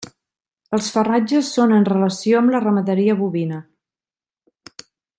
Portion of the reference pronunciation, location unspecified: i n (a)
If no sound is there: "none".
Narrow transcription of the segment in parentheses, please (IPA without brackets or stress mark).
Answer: ə